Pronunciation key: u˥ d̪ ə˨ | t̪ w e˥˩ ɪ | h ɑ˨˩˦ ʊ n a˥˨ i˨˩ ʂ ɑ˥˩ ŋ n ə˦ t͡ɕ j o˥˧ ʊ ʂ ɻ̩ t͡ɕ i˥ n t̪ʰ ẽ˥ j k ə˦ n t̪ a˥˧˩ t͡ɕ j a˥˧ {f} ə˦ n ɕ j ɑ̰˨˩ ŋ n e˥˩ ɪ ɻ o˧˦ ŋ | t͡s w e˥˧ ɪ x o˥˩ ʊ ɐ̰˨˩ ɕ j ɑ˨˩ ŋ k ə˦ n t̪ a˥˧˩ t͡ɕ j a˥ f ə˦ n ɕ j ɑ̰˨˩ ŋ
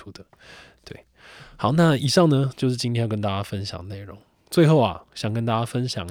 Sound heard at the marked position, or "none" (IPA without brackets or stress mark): f